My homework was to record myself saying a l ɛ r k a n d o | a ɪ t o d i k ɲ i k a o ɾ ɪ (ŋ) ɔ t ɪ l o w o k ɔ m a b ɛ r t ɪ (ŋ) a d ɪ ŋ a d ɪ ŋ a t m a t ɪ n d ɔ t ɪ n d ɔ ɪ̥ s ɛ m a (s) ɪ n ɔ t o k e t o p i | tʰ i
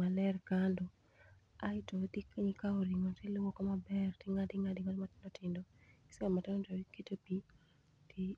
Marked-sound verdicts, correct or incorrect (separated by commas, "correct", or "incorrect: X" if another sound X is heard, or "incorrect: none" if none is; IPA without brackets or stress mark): correct, correct, incorrect: t